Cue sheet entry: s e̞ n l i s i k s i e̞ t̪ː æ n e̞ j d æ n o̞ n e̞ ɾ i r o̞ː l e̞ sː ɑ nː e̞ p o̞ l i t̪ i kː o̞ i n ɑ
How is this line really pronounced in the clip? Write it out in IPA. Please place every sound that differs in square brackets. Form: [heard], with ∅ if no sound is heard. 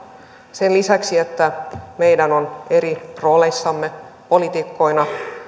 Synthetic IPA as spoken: s e̞ n l i s [æ] k s i e̞ t̪ː æ [m] e̞ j d æ n o̞ n e̞ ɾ i r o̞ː l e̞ sː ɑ [mː] e̞ p o̞ l i t̪ i kː o̞ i n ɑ